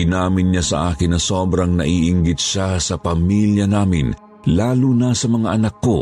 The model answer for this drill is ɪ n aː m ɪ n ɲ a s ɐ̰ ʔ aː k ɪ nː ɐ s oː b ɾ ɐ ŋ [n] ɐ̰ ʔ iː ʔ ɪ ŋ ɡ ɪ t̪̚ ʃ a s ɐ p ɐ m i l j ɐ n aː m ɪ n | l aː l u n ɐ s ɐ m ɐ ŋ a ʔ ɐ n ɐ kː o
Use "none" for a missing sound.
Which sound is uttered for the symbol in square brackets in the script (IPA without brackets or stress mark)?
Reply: n